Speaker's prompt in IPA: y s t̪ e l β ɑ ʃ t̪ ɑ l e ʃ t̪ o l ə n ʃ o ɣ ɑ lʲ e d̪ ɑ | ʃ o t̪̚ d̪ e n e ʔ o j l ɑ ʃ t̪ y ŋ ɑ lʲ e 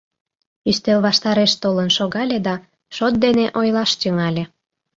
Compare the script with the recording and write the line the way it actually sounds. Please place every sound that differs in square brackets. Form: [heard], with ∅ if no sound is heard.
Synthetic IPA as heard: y s t̪ e l β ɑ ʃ t̪ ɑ [ɾ] e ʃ t̪ o l ə n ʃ o ɣ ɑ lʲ e d̪ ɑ | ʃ o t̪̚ d̪ e n e ʔ o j l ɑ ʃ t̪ y ŋ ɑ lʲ e